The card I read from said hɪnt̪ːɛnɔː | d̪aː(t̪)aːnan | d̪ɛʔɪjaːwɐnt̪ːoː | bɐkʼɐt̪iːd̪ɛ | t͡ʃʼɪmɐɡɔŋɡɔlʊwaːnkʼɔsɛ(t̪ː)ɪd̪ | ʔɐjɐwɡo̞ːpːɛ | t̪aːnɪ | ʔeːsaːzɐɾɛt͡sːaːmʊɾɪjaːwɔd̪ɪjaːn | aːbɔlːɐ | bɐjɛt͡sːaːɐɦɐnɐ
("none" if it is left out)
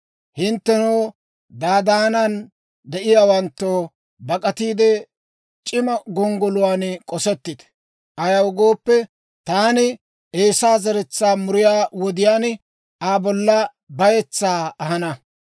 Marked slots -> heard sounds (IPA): d̪, t̪ː

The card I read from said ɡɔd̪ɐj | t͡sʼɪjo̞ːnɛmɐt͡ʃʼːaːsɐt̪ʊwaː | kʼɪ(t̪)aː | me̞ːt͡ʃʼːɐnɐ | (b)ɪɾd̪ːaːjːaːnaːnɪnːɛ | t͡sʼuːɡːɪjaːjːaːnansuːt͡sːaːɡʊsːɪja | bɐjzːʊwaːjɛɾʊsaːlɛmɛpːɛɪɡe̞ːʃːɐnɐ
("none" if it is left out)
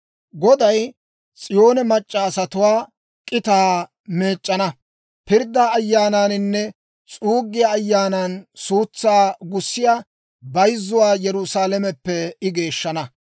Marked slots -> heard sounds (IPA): t̪, p

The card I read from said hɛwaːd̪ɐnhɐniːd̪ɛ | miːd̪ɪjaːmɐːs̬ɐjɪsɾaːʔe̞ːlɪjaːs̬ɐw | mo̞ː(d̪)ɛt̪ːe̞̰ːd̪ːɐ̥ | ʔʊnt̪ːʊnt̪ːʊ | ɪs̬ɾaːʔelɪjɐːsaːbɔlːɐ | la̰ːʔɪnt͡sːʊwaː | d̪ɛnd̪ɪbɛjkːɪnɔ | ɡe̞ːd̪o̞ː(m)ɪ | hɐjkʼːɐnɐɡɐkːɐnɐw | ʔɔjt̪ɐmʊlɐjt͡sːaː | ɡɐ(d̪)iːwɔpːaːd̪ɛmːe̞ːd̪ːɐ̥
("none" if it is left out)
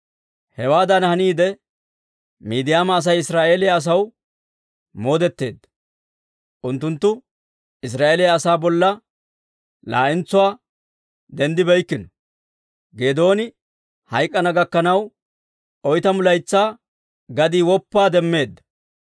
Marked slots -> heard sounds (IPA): d̪, n, d̪

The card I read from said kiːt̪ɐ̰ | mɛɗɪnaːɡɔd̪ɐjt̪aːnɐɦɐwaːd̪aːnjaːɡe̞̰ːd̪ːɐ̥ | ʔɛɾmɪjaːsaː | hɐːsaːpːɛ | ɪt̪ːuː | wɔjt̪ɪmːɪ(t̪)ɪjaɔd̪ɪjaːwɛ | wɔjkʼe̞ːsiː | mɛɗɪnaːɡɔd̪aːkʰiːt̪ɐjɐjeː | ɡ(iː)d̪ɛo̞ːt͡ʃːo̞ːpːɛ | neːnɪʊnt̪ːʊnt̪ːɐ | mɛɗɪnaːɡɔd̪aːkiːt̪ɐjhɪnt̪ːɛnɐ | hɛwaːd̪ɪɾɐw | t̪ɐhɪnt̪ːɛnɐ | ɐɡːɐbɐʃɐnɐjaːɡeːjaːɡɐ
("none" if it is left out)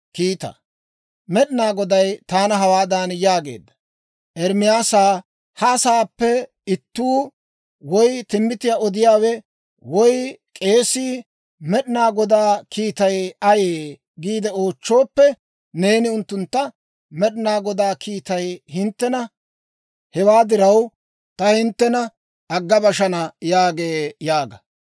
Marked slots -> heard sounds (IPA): t̪, iː

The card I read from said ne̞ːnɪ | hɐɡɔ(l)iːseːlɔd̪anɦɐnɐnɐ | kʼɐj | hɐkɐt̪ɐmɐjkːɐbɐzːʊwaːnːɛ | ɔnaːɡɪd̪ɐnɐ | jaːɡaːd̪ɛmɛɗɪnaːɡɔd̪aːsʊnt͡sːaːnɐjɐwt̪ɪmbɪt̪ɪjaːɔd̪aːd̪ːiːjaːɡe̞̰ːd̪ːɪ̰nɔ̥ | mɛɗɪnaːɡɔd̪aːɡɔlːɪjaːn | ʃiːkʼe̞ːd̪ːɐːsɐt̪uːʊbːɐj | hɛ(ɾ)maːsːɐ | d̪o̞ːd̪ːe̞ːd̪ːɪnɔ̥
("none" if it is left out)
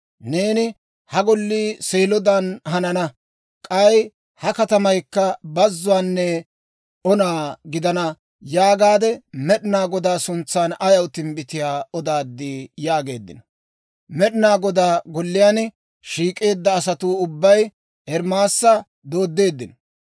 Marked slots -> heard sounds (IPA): lː, ɾ

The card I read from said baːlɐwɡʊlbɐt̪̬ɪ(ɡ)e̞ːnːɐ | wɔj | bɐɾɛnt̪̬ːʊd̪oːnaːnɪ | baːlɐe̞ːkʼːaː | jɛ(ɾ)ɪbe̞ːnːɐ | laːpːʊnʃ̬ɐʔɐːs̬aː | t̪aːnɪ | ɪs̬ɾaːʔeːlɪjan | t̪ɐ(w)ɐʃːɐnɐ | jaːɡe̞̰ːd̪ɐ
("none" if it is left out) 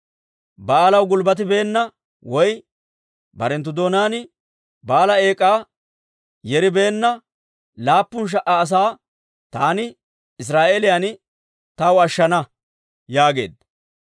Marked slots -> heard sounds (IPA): b, ɾ, w

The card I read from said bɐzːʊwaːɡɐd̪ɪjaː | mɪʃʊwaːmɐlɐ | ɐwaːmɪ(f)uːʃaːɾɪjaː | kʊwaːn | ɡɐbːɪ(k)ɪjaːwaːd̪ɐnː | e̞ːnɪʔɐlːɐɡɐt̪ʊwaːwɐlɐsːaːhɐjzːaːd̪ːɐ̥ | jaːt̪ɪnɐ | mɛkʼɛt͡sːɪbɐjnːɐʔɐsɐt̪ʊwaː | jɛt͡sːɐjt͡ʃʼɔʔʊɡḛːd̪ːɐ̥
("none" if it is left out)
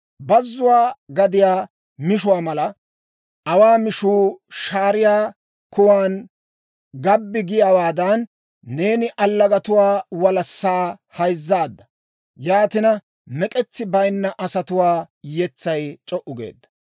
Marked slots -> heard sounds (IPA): ʃ, ɡ

